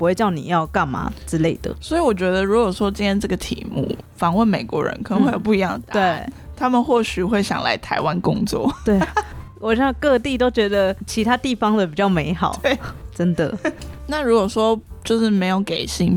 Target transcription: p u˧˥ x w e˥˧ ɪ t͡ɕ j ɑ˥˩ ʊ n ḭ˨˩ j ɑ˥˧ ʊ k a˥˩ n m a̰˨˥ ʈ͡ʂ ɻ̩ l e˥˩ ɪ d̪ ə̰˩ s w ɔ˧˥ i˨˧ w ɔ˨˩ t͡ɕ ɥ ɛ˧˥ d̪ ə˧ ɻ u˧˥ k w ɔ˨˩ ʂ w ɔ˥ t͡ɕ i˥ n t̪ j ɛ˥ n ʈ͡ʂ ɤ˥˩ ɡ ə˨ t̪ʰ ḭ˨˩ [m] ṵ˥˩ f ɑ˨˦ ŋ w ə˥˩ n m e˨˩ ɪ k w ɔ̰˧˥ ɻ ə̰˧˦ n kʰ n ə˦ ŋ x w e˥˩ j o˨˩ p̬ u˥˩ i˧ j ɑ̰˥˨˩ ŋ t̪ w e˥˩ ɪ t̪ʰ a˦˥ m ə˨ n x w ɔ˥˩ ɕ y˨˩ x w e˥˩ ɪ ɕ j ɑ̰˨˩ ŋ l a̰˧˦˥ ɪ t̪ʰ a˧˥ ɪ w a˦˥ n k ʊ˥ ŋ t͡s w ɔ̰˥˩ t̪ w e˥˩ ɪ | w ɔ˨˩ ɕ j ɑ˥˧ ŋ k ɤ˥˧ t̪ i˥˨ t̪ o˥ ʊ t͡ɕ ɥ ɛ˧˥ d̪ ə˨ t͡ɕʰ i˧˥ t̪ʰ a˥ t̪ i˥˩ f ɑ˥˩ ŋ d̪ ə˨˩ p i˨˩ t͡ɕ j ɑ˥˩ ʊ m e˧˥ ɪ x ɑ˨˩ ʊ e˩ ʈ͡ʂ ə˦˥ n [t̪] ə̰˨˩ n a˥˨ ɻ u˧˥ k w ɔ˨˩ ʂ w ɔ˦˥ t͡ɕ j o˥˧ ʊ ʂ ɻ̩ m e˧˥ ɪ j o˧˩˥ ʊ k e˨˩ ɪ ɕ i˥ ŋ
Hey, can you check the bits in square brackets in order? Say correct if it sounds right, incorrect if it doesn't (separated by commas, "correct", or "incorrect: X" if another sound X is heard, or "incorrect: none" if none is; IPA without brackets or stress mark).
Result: correct, incorrect: d̪